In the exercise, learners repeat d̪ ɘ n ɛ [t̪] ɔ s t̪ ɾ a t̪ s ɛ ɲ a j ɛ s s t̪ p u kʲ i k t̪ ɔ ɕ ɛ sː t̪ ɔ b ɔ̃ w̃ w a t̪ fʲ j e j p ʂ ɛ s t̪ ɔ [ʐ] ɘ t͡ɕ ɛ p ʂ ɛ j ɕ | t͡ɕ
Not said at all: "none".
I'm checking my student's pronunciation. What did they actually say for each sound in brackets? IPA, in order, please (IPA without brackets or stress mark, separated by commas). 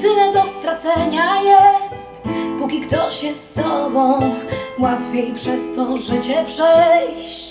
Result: d̪, ʐ